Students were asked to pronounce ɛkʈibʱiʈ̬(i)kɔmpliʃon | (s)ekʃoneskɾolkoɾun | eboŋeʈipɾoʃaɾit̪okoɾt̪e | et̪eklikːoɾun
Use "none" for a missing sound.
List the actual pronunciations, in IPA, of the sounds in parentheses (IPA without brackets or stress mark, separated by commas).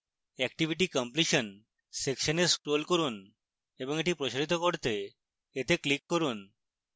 i, s